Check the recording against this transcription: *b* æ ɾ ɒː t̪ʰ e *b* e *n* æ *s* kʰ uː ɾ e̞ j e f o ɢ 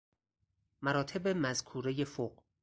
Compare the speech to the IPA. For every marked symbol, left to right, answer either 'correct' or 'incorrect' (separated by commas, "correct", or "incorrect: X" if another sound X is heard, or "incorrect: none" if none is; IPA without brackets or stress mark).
incorrect: m, correct, incorrect: m, incorrect: z